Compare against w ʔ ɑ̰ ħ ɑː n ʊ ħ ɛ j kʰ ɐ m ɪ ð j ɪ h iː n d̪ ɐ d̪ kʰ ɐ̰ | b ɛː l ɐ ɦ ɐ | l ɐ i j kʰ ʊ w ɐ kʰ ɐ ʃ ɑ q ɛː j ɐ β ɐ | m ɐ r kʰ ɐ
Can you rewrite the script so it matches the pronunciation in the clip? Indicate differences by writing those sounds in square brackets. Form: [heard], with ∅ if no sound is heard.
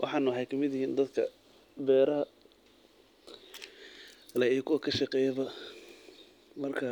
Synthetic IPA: w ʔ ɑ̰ ħ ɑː n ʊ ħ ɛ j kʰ ɐ m ɪ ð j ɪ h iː n d̪ ɐ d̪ kʰ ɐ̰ | b ɛː [ɾ] ɐ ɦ ɐ | l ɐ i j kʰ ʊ w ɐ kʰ ɐ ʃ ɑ q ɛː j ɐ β ɐ | m ɐ r kʰ ɐ